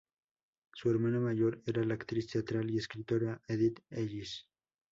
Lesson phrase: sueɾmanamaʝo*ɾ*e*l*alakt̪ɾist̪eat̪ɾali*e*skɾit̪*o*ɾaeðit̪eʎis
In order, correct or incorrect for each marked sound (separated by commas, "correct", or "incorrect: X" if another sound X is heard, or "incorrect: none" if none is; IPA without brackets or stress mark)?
correct, incorrect: ɾ, correct, correct